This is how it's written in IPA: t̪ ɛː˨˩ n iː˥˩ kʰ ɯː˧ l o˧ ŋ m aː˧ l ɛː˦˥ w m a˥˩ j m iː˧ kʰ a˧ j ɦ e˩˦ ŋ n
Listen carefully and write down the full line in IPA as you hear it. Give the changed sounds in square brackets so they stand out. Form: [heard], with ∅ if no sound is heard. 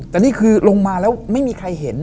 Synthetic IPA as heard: t̪ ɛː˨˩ n iː˥˩ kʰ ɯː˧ l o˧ ŋ m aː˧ l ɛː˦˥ w m a˥˩ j m iː˧ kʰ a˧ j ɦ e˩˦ [∅] n